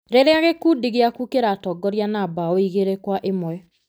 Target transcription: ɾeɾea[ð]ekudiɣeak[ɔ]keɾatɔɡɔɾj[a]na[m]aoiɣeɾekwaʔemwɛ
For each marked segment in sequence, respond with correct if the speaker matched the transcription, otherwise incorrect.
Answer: incorrect: ɣ, incorrect: u, correct, incorrect: b

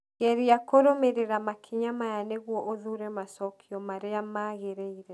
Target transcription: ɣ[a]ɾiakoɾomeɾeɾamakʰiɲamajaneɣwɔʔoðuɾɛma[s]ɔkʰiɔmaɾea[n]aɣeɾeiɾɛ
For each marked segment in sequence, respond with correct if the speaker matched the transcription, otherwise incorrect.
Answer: incorrect: ɛ, correct, incorrect: m

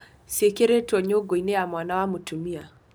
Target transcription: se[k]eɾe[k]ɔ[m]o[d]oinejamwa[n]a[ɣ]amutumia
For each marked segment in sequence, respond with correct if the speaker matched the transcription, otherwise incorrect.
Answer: correct, incorrect: t, incorrect: ɲ, incorrect: ɡ, correct, incorrect: w

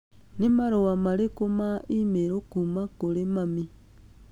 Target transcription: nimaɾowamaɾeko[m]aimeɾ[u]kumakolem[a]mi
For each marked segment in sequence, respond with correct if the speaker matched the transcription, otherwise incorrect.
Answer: correct, incorrect: o, correct

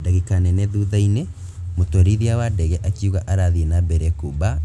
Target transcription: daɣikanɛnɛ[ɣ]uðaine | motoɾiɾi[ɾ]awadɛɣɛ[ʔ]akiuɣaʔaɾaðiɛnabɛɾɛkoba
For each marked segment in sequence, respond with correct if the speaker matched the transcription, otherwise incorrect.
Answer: incorrect: ð, incorrect: none, correct

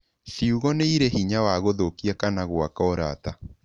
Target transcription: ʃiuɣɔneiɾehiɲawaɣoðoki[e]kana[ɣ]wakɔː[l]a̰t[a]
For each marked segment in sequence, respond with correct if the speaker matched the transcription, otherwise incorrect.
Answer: incorrect: a, correct, incorrect: ɾ, correct

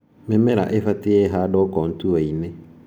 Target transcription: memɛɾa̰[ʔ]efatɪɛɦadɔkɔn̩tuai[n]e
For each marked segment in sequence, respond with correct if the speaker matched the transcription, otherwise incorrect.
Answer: correct, incorrect: m

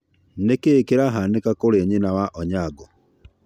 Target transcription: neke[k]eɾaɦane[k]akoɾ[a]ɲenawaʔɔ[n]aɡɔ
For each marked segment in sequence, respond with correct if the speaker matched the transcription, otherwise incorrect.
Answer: correct, correct, incorrect: e, incorrect: ɲ

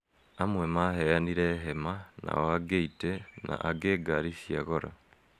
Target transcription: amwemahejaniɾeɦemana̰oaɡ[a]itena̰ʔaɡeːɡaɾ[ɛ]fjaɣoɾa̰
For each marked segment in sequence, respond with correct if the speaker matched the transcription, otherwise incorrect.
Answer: incorrect: e, incorrect: i

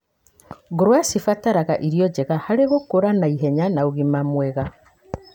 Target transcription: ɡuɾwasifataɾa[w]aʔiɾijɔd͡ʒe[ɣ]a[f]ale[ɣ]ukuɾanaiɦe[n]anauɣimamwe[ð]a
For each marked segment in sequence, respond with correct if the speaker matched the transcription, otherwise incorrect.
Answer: incorrect: ɣ, correct, incorrect: h, correct, incorrect: ɲ, incorrect: ɣ

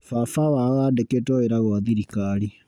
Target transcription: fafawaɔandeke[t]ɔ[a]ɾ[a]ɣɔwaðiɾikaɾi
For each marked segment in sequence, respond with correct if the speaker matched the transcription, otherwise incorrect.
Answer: correct, incorrect: e, correct

